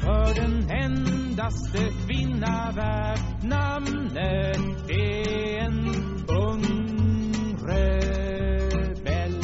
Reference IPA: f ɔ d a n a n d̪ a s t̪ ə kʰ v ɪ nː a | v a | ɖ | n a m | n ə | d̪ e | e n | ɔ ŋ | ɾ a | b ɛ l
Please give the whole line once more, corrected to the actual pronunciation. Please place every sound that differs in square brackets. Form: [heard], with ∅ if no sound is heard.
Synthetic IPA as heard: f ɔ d [ɛ] n [ɛ] n d̪ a s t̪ ə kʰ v ɪ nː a | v [æ] | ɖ | n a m | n ə | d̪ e | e n | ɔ ŋ | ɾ [ə] | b ɛ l